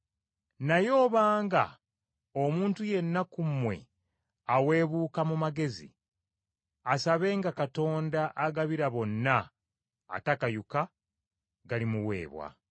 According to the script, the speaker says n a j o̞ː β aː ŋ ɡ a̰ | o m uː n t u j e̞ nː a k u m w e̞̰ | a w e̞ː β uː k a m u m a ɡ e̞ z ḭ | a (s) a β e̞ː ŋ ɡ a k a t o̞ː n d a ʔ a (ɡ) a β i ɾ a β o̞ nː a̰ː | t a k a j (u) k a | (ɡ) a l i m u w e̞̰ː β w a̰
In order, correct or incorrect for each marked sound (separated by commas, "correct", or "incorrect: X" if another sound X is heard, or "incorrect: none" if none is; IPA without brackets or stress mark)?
correct, correct, correct, correct